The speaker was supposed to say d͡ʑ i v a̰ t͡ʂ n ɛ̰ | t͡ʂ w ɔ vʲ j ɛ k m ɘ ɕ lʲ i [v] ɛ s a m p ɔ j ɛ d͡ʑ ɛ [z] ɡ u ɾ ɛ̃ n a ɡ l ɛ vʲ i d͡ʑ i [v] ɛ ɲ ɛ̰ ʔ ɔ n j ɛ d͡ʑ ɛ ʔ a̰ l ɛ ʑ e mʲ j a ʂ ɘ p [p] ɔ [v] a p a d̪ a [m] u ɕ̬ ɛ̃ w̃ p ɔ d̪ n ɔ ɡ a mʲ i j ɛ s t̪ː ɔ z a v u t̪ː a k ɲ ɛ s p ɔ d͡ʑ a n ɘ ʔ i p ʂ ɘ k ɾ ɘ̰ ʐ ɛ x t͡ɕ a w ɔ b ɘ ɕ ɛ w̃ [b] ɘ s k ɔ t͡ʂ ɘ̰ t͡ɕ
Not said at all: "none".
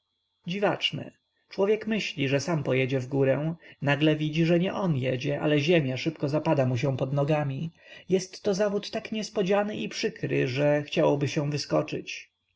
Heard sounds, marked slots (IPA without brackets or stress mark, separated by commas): ʐ, v, ʐ, k, z, m, v